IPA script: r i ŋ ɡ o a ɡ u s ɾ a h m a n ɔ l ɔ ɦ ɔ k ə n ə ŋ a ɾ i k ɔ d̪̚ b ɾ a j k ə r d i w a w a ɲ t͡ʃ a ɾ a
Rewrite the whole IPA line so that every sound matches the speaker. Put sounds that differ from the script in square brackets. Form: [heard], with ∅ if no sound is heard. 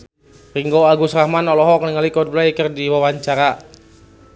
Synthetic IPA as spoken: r i ŋ ɡ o a ɡ u s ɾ a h m a n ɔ l ɔ ɦ ɔ k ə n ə ŋ a [l] i k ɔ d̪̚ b [l] a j k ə r d i w a w a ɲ t͡ʃ a ɾ a